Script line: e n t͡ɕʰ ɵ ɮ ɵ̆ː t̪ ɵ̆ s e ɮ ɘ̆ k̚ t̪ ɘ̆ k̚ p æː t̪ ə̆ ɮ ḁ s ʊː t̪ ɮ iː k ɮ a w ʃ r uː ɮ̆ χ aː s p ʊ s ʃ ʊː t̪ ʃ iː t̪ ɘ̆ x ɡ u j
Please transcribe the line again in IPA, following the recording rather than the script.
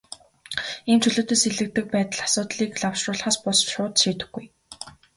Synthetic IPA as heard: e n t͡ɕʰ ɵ ɮ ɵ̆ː t̪ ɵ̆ s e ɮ ɘ̆ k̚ t̪ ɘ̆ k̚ p æː t̪ ə̆ ɮ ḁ s ʊː t̪ ɮ iː k ɮ a w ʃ r ʊː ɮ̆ χ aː s p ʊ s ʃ ʊː t̪ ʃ iː t̪ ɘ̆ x ɡ u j